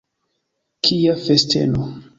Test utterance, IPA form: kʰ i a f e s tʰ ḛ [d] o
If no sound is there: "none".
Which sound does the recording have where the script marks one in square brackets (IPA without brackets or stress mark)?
n